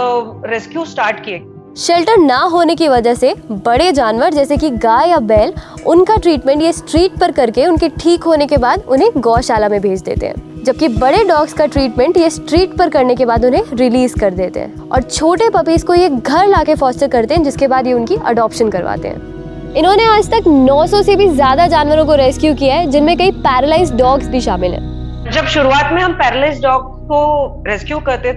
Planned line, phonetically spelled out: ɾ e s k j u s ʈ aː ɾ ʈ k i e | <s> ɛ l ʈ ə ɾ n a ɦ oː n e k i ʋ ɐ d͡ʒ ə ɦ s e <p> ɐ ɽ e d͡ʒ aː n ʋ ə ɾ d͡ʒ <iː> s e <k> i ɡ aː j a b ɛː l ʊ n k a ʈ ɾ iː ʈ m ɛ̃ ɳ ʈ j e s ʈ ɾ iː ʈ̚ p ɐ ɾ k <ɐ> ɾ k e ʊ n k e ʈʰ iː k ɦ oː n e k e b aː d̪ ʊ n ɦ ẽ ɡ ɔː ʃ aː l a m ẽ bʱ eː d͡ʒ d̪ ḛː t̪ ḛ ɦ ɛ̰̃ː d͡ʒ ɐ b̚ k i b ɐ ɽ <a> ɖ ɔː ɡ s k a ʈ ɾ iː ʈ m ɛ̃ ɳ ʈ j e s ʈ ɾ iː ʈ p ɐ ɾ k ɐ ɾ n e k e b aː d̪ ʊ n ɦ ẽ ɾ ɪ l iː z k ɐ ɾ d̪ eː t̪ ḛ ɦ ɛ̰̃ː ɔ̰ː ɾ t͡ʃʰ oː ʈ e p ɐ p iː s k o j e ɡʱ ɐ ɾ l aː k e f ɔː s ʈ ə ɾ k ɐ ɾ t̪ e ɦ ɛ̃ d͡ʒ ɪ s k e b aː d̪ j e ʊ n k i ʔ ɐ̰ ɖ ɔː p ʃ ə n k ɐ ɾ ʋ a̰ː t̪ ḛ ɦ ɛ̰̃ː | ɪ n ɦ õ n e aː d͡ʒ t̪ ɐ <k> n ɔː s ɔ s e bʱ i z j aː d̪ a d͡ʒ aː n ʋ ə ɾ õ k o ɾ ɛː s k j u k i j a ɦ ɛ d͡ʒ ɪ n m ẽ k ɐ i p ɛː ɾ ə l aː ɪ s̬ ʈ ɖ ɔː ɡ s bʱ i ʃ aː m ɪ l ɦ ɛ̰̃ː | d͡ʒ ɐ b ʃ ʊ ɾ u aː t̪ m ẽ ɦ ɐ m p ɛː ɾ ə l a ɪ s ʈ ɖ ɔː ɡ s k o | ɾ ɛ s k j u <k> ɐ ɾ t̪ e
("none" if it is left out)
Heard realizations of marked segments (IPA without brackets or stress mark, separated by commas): ʃ, b, ɛː, k, ɐ, e, k, k